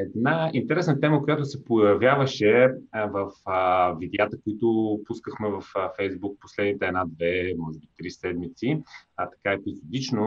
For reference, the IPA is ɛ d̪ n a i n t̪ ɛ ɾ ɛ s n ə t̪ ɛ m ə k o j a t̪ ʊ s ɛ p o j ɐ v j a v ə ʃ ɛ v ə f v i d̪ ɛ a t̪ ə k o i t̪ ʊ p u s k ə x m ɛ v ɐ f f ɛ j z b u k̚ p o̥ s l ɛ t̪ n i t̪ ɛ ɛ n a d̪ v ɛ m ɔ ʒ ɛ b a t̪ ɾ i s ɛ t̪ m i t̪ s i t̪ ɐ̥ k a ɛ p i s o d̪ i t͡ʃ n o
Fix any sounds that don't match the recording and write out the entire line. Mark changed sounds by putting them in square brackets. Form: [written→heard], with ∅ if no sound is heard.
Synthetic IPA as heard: ɛ d̪ n a i n t̪ ɛ ɾ ɛ s n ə t̪ ɛ m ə k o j a t̪ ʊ s ɛ p o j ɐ v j a v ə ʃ ɛ v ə f v i d̪ ɛ a t̪ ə k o i t̪ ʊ p u s k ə x m ɛ v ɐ f f ɛ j z b u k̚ p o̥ s l ɛ [t̪→d̪] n i t̪ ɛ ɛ n a d̪ v ɛ m ɔ ʒ ɛ b [a→i] t̪ ɾ i s ɛ [t̪→d̪] m i t̪ s i t̪ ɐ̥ k a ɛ p i [s→z] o d̪ i t͡ʃ n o